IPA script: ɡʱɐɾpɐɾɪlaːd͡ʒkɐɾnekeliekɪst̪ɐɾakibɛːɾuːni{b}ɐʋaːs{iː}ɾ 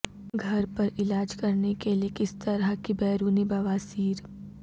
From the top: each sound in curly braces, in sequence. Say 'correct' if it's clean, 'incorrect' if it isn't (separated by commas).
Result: correct, correct